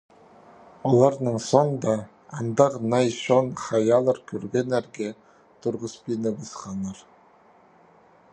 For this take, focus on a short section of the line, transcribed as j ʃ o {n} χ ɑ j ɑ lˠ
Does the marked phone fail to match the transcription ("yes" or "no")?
no